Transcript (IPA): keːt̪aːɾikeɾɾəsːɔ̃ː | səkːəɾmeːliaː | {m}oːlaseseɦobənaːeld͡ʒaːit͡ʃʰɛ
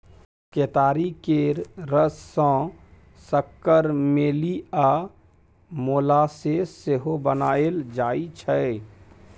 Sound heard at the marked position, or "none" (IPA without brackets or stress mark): m